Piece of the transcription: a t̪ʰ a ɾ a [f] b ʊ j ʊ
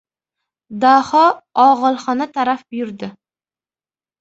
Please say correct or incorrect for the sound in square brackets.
correct